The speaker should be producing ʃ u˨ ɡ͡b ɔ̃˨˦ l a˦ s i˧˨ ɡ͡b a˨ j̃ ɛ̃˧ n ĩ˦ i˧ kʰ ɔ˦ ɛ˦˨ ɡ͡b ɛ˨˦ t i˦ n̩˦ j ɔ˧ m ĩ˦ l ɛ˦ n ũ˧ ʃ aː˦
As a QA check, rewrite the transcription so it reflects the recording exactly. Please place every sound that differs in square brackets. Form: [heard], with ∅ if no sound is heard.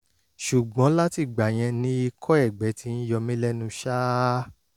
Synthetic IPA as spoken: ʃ u˨ ɡ͡b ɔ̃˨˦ l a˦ [t] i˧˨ ɡ͡b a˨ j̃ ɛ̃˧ n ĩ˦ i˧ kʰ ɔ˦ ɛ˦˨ ɡ͡b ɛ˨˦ t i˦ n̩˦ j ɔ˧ m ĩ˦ l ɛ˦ n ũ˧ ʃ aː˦